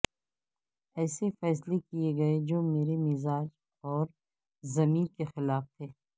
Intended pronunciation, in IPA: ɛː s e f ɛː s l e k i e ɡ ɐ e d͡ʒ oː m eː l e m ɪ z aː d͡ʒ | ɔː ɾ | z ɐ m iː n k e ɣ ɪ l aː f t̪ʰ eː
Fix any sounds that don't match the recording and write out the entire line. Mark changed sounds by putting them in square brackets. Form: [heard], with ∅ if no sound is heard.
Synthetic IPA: ɛː s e f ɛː s l e k i e ɡ ɐ e d͡ʒ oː m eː [ɾ] e m ɪ z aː d͡ʒ | ɔː ɾ | z ɐ m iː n k e [x] ɪ l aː f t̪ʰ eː